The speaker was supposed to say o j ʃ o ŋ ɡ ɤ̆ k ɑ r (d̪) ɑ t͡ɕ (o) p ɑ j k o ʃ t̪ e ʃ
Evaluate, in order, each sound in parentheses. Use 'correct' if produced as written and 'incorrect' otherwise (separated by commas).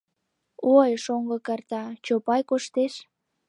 incorrect, correct